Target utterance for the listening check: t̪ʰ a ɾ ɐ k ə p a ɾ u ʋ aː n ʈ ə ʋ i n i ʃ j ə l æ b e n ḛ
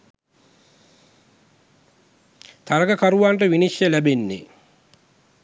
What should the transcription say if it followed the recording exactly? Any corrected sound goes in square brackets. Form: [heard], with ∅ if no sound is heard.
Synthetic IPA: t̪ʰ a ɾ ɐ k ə [k] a ɾ u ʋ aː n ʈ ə ʋ i n i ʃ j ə l æ b e [nː] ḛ